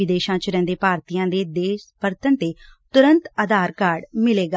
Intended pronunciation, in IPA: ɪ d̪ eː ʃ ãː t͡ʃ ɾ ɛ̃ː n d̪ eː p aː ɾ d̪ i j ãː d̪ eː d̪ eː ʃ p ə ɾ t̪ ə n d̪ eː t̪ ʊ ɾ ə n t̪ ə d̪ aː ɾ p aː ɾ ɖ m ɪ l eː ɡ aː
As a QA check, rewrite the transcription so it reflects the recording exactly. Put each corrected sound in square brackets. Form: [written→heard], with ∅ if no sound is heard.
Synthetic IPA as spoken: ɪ d̪ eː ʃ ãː t͡ʃ ɾ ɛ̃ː n d̪ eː p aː ɾ [d̪→t̪] i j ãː d̪ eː d̪ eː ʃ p ə ɾ t̪ ə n [d̪→t̪] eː t̪ ʊ ɾ ə n t̪ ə d̪ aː ɾ [p→k] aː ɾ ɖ m ɪ l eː ɡ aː